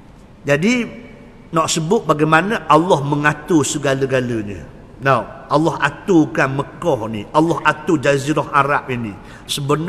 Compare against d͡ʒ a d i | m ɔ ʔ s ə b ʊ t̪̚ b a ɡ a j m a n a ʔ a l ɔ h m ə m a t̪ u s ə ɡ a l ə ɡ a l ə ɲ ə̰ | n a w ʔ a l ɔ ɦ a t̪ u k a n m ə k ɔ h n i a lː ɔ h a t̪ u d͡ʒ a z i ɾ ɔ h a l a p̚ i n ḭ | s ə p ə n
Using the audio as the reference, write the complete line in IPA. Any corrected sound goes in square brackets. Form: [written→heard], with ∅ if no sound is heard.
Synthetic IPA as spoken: d͡ʒ a d i | [m→n] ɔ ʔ s ə b ʊ t̪̚ b a ɡ a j m a n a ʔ a l ɔ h m ə [m→ŋ] a t̪ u s ə ɡ a l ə ɡ a l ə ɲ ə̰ | n a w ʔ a l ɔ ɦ a t̪ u k a n m ə k ɔ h n i a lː ɔ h a t̪ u d͡ʒ a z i ɾ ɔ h a [l→ɾ] a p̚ i n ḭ | s ə [p→b] ə n